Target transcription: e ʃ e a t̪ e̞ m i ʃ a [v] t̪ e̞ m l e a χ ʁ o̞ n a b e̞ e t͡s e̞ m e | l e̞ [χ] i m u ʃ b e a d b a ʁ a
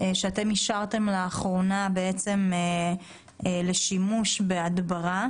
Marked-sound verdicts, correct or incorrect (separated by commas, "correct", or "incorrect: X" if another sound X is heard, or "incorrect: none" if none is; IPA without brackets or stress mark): incorrect: ʁ, incorrect: ʃ